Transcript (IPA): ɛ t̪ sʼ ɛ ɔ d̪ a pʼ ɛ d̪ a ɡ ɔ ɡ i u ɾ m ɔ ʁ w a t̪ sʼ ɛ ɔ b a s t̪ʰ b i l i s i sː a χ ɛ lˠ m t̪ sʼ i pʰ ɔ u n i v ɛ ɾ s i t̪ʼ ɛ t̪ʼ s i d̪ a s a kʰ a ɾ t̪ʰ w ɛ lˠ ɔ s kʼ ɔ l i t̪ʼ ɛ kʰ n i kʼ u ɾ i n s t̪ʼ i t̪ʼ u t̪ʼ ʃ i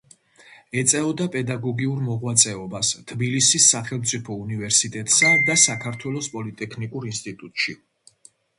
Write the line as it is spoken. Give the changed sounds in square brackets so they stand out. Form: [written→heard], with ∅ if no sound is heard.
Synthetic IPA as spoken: ɛ t̪ sʼ ɛ ɔ d̪ a pʼ ɛ d̪ a ɡ ɔ ɡ i u ɾ m ɔ ʁ w a t̪ sʼ ɛ ɔ b a s t̪ʰ b i l i s i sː a χ ɛ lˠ m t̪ sʼ i pʰ ɔ u n i v ɛ ɾ s i t̪ʼ ɛ t̪ʼ s [i→a] d̪ a s a kʰ a ɾ t̪ʰ w ɛ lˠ ɔ s [kʼ→pʼ] ɔ l i t̪ʼ ɛ kʰ n i kʼ u ɾ i n s t̪ʼ i t̪ʼ u t̪ʼ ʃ i